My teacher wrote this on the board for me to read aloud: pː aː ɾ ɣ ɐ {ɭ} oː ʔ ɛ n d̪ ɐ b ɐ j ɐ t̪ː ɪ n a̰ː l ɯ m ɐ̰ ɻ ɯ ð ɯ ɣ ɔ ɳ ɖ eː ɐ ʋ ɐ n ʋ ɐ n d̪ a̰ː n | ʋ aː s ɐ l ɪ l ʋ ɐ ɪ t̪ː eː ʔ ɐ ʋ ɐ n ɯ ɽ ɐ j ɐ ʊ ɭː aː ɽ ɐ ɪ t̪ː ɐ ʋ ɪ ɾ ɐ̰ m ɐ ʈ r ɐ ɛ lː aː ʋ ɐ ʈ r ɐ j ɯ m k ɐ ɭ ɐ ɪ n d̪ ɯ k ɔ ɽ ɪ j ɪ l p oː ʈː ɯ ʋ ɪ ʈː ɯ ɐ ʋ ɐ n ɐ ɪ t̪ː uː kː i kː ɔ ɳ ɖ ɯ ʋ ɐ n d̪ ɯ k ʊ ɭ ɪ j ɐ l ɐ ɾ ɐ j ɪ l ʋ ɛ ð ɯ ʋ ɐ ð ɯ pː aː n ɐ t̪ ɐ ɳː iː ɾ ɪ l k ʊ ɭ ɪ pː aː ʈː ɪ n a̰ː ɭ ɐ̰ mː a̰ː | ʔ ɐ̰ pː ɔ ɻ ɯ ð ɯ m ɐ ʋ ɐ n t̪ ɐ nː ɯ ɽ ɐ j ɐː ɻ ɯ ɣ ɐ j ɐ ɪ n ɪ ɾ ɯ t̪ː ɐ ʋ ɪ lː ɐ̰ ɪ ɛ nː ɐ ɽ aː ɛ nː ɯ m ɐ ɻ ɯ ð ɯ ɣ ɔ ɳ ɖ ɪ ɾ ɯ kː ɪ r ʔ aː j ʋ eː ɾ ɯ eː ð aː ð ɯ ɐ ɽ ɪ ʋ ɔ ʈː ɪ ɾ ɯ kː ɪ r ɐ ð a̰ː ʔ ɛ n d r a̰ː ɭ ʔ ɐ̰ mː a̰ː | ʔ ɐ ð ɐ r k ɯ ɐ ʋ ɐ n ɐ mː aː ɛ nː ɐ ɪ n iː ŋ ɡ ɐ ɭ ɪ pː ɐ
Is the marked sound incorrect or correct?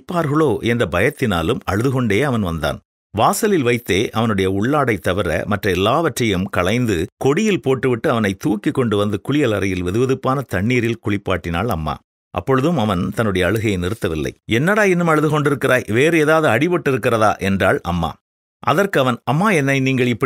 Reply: correct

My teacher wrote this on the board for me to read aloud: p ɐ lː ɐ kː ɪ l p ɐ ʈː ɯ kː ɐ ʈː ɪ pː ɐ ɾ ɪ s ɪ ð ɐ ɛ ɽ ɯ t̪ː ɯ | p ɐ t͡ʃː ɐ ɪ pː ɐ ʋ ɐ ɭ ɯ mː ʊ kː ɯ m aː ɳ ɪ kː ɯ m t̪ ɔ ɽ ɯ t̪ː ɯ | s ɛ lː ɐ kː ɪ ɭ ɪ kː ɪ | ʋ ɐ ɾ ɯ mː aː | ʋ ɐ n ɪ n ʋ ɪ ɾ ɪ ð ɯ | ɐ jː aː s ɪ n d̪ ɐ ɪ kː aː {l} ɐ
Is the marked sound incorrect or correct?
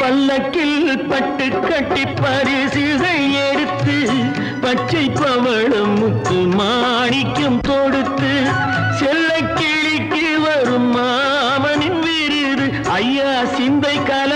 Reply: correct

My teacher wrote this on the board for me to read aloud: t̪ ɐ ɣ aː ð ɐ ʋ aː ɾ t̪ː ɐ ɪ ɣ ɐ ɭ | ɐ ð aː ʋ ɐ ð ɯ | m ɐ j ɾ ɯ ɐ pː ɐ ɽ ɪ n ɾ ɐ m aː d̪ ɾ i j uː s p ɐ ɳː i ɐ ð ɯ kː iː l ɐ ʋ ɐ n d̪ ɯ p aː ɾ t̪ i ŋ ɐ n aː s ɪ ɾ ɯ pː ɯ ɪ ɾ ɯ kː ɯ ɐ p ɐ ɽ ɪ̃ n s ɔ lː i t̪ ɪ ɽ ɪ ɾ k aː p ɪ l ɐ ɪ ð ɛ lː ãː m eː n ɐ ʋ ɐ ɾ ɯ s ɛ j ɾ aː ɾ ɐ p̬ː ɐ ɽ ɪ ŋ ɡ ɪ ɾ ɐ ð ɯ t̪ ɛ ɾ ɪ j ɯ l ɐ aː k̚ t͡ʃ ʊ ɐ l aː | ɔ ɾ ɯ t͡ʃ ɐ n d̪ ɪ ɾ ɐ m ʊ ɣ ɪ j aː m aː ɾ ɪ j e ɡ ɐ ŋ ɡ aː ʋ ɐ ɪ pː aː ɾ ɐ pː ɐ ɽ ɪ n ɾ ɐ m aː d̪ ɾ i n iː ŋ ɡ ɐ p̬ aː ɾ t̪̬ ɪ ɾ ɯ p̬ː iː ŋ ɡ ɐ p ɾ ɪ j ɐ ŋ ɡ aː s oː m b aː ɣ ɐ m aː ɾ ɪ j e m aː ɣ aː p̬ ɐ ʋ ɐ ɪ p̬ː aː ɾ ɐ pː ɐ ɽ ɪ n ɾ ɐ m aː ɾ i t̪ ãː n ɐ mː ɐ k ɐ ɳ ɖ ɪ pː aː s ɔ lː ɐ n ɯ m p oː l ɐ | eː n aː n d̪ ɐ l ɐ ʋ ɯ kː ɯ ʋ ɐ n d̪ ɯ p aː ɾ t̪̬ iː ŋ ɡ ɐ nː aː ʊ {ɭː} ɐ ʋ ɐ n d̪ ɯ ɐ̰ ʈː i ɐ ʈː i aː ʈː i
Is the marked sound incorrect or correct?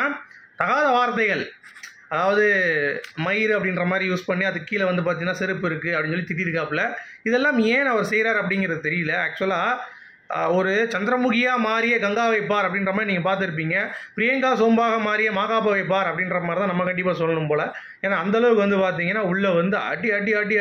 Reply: correct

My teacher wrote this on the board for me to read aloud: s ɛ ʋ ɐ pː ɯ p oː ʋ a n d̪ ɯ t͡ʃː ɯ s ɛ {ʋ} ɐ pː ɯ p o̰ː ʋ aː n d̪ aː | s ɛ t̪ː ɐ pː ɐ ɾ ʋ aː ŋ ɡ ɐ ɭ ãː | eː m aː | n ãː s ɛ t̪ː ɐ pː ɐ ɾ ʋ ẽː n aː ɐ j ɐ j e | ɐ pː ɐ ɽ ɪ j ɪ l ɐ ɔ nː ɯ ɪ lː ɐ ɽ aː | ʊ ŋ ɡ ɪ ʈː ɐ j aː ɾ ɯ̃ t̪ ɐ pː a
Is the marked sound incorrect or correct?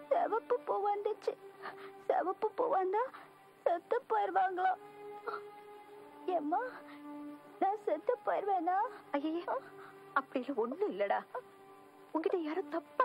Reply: correct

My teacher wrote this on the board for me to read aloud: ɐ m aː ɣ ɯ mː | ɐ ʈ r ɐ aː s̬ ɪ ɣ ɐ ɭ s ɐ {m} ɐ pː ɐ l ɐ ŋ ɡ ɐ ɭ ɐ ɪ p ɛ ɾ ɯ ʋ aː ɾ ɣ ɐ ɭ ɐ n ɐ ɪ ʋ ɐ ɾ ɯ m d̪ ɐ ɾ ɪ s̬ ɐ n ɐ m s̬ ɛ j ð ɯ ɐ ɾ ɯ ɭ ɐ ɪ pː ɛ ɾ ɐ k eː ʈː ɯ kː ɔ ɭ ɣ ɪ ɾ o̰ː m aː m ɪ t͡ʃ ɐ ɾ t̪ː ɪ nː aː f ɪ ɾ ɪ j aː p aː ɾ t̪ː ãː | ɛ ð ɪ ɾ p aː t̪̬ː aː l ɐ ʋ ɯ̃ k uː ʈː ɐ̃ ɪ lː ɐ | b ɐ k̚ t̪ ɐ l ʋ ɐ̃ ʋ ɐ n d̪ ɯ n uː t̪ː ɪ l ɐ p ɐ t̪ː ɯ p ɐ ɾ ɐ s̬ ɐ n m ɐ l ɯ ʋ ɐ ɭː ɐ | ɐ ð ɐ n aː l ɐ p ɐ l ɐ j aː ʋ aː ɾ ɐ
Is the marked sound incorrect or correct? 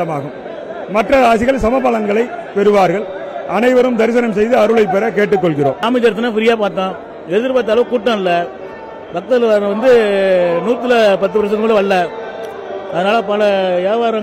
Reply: correct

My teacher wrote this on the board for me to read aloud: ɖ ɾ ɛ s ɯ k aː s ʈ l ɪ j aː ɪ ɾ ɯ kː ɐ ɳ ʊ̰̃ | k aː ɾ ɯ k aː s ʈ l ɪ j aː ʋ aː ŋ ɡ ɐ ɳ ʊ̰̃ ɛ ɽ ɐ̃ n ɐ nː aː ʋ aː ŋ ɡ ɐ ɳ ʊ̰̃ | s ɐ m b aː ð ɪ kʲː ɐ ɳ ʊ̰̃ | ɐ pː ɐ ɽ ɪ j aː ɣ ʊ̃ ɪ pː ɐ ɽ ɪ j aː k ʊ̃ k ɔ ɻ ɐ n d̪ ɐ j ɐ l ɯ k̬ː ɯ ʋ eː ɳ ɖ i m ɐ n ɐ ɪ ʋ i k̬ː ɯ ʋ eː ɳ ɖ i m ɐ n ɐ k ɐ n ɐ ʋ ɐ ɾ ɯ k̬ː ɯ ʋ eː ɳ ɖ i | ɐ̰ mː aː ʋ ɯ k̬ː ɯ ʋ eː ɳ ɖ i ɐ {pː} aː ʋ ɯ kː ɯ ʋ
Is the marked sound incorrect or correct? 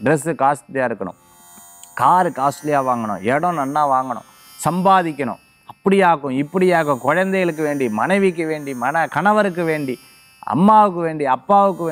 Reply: correct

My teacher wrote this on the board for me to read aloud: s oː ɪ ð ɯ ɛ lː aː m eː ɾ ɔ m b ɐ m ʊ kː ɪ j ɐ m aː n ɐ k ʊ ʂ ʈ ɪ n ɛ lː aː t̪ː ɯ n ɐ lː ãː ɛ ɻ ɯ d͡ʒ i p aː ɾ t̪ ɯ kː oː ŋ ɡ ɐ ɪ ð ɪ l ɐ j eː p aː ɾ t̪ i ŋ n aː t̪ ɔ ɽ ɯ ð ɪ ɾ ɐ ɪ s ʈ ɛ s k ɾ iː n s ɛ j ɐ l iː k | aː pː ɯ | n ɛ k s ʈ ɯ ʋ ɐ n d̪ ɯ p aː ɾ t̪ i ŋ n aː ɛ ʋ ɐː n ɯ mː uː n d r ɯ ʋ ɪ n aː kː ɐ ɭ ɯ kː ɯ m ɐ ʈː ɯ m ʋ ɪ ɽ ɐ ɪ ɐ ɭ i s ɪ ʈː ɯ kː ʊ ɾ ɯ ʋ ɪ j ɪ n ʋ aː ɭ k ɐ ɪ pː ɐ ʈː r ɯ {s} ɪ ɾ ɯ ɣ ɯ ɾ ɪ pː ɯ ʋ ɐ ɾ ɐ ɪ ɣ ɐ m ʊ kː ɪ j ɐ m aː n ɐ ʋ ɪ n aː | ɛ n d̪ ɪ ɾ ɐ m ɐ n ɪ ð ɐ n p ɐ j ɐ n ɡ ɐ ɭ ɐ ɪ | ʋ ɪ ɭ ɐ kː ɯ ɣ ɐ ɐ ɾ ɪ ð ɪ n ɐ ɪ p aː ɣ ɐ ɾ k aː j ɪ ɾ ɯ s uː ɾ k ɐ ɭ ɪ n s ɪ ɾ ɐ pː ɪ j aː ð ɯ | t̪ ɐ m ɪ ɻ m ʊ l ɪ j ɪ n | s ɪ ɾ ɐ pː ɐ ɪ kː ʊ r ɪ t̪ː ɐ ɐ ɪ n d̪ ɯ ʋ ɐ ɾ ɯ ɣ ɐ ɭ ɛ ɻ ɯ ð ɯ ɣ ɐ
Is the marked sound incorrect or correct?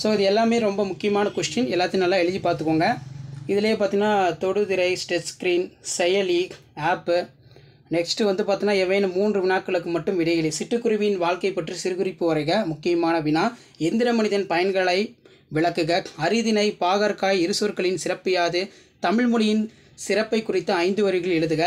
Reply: correct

